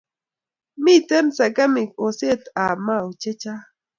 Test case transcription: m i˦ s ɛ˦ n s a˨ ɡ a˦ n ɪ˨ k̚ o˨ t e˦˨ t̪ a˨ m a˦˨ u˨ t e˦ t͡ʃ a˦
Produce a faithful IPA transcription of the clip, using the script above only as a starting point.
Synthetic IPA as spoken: m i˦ t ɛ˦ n s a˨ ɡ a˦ m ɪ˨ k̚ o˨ s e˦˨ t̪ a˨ m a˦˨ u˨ t͡ʃ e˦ t͡ʃ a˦

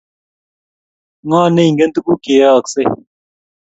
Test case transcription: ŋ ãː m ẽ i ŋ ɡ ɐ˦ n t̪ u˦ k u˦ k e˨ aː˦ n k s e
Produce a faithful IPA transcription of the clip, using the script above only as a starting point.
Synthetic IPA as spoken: ŋ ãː n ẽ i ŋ ɡ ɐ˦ n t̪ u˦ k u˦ k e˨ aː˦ k s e

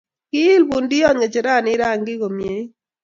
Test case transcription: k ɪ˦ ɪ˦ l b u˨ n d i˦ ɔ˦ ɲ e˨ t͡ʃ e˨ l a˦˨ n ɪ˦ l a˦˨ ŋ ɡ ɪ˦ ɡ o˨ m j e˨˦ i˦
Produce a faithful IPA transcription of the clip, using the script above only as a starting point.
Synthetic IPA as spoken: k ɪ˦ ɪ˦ l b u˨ n d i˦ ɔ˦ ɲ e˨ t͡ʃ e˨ ɾ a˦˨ n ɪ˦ ɾ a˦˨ ŋ ɡ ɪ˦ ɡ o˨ m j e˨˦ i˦

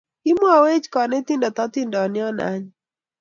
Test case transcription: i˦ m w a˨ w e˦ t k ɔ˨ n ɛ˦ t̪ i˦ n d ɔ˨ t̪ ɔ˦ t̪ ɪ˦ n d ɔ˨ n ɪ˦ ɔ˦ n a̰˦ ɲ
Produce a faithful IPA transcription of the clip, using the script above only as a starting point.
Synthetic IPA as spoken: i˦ m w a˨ w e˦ t͡ʃ k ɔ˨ n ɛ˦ t̪ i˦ n d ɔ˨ t̪ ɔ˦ t̪ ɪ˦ n d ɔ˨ n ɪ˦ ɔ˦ n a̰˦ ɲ

